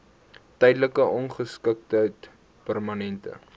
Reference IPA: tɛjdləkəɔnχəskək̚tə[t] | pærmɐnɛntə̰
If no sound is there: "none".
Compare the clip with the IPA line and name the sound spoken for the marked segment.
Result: t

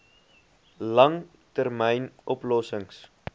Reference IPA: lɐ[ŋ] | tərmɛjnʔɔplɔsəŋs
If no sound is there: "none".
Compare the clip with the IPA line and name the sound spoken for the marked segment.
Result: ŋ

